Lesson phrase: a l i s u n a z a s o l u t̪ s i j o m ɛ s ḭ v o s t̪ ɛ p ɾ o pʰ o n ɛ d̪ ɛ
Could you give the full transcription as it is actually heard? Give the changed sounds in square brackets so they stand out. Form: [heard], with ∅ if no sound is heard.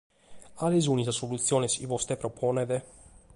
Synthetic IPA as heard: a l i [z] u n [i] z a s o l u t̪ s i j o [n] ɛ s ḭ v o s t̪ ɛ p ɾ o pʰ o n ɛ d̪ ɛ